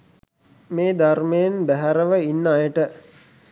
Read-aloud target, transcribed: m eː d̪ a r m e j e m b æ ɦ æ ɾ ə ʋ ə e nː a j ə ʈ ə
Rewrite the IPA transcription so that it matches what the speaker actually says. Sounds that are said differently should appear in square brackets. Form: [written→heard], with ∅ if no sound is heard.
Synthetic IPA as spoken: m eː d̪ a r m e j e [m→n] b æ ɦ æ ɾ ə ʋ ə [e→i] nː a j ə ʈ ə